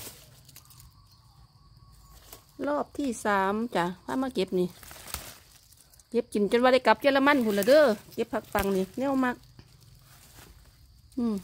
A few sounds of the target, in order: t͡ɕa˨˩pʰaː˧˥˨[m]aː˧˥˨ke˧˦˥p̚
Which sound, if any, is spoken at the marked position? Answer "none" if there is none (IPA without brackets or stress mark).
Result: m